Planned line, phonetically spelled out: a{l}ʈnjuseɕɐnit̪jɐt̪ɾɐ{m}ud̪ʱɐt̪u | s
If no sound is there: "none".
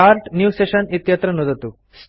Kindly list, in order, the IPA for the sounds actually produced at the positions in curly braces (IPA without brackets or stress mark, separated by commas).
ɾ, n